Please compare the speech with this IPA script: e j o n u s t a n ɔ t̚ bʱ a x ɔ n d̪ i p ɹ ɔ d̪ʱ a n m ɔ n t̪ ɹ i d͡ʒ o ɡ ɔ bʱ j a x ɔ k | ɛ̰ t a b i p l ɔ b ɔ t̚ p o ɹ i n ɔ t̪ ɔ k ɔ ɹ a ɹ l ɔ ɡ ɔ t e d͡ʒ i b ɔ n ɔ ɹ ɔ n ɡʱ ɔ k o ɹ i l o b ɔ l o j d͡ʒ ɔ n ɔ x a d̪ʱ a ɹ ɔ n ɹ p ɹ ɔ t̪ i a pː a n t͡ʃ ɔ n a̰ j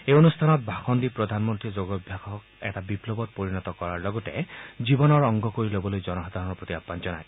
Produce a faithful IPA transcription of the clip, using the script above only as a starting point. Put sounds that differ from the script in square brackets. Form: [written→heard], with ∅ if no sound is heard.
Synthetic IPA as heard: e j o n u s [t→tʰ] a n ɔ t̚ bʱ a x ɔ n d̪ i p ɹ ɔ d̪ʱ a n m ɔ n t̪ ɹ i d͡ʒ o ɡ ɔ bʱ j a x ɔ k | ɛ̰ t a b i p l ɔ b ɔ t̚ p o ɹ i n ɔ t̪ ɔ k ɔ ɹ a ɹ l ɔ ɡ ɔ t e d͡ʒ i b ɔ n ɔ ɹ ɔ [n→ŋ] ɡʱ ɔ k o ɹ i l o b ɔ l o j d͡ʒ ɔ n ɔ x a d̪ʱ a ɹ ɔ n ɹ p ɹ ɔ t̪ i a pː a n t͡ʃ ɔ n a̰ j